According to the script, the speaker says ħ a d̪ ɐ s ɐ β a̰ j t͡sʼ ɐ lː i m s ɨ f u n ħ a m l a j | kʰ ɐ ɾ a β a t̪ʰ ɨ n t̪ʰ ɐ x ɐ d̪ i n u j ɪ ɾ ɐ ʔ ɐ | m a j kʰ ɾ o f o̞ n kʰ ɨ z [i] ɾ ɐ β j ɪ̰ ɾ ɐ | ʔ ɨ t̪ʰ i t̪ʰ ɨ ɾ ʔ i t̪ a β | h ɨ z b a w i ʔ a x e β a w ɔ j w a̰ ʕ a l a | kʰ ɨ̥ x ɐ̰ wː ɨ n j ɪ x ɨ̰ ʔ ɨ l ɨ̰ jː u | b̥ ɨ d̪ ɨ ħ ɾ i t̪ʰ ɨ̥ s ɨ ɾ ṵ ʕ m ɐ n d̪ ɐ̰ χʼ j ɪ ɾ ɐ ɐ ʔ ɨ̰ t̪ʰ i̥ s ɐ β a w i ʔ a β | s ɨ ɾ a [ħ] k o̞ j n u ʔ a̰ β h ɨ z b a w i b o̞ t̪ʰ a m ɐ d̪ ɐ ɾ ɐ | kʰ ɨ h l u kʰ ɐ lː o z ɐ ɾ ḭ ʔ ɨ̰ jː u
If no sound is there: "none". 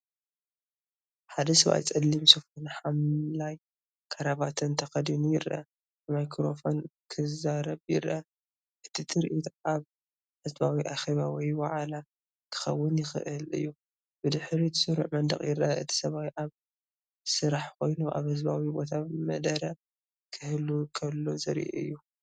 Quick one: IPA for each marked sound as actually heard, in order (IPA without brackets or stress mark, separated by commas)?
a, ħ